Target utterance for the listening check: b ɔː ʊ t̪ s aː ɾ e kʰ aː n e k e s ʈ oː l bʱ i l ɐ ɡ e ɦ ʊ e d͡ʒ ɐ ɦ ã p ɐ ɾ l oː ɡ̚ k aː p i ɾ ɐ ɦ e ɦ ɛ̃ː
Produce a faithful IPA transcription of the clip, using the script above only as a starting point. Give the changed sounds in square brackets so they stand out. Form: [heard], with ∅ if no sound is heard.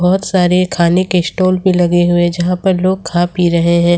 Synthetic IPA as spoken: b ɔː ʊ t̪ s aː ɾ e kʰ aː n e k e s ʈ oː l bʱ i l ɐ ɡ e ɦ ʊ e d͡ʒ ɐ ɦ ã p ɐ ɾ l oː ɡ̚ [kʰ] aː p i ɾ ɐ ɦ e ɦ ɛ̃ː